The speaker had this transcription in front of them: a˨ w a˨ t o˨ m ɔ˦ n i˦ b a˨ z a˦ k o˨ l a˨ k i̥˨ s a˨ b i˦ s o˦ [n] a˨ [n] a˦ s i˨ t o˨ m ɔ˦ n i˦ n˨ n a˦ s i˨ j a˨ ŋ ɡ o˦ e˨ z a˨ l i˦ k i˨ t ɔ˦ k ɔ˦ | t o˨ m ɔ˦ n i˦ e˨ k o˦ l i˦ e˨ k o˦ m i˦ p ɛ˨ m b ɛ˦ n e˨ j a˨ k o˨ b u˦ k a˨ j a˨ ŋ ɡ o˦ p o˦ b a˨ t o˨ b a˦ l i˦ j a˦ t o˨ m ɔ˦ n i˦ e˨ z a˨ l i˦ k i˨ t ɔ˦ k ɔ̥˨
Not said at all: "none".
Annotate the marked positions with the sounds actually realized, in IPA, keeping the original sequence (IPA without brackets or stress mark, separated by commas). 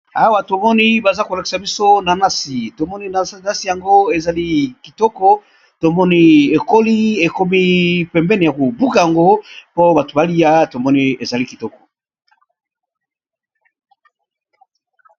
n, n